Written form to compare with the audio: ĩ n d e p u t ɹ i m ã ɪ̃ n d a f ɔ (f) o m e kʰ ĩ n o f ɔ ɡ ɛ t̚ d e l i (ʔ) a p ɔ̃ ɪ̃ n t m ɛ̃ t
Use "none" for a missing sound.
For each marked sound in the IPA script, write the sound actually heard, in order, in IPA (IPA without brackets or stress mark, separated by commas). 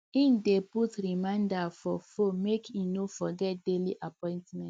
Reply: f, ʔ